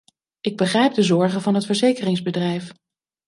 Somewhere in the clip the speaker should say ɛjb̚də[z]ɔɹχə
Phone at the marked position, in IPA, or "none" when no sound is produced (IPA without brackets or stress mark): z